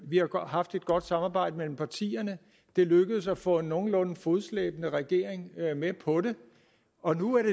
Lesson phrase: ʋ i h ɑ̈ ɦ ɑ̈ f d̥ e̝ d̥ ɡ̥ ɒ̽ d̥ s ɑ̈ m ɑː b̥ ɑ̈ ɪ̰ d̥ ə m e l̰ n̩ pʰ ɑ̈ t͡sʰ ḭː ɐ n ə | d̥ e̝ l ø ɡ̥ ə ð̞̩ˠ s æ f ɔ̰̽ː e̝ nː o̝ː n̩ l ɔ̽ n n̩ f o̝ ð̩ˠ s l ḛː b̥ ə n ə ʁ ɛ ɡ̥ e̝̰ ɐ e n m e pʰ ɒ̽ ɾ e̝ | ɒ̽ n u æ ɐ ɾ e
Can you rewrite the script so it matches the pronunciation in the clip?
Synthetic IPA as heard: ʋ i h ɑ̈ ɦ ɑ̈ f d̥ e̝ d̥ ɡ̥ ɒ̽ d̥ s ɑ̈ m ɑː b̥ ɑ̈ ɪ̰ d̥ ə m e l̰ m̩ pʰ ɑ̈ t͡sʰ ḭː ɐ n ə | d̥ e̝ l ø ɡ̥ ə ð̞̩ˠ s æ f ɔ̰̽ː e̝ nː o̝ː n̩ l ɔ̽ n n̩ f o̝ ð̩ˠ s l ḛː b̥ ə n ə ʁ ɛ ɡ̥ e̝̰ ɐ e ŋ m e pʰ ɒ̽ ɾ e̝ | ɒ̽ n u æ ɐ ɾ e